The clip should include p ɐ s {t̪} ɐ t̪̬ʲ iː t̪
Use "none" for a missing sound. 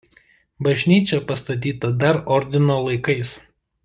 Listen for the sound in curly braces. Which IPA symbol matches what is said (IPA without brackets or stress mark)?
t̪